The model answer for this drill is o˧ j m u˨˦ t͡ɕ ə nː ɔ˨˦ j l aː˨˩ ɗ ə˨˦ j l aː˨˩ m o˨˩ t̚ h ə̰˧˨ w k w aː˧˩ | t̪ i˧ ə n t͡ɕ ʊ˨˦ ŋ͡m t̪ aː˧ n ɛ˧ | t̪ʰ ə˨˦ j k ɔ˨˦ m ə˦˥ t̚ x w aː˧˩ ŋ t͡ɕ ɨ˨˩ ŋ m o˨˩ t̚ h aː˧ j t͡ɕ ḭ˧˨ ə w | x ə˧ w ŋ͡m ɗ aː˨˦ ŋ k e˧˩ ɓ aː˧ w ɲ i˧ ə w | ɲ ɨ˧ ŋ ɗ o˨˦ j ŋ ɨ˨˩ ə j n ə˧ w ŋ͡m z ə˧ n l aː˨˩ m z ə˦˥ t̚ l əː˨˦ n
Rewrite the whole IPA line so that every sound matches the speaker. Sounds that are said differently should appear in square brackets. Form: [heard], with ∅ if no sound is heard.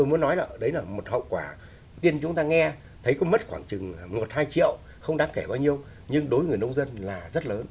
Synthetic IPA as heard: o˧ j m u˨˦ [∅] ə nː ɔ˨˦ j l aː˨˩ ɗ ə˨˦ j l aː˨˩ m o˨˩ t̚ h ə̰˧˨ w k w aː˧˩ | t̪ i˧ ə n t͡ɕ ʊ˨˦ ŋ͡m t̪ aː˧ [ŋ] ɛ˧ | t̪ʰ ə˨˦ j k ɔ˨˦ m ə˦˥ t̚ x w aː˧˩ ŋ t͡ɕ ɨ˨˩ ŋ m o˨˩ t̚ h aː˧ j t͡ɕ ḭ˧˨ ə w | x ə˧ w ŋ͡m ɗ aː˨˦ ŋ k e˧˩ ɓ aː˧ w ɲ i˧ ə w | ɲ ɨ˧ ŋ ɗ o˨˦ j ŋ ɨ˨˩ ə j n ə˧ w ŋ͡m z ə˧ n l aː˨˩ [∅] z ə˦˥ t̚ l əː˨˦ n